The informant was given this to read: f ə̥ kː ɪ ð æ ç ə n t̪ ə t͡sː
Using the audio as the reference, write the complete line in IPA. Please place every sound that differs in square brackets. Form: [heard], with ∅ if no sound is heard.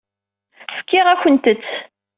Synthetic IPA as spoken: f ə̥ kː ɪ [ʁ] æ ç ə n t̪ ə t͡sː